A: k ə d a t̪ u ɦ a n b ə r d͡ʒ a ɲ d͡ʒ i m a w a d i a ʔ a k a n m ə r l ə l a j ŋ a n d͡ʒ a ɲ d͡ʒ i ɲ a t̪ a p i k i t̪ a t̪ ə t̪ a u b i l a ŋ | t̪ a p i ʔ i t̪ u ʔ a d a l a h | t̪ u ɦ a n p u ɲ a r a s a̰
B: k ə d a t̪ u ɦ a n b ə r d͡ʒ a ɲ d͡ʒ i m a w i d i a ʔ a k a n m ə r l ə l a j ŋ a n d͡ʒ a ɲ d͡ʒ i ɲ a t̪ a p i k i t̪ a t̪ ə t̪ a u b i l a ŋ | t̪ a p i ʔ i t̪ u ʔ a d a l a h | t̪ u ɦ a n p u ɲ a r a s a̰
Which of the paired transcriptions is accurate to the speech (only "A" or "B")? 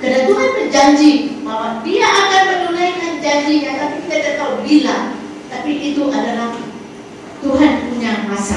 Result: A